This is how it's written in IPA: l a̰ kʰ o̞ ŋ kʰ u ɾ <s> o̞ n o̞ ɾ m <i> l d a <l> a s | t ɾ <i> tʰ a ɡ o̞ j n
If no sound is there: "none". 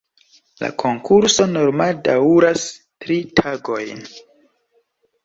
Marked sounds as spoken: s, a, ɾ, i

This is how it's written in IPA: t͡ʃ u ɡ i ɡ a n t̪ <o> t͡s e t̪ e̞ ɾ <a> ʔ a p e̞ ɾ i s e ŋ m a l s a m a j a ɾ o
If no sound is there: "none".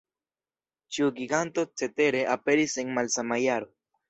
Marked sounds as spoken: o, e

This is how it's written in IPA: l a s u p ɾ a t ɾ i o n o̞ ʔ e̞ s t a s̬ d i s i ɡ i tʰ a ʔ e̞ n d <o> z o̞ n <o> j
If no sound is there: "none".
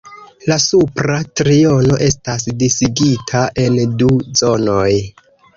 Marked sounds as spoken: u, o

